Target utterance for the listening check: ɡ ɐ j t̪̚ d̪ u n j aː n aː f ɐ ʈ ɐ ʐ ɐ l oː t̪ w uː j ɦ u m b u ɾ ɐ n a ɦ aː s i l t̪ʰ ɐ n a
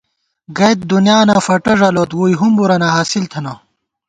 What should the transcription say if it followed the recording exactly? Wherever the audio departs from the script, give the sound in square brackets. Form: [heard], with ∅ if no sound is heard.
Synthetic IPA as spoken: ɡ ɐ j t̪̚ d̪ u n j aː n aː f ɐ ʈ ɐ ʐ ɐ l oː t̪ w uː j ɦ u m b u ɾ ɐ n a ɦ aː s i l t̪ʰ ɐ n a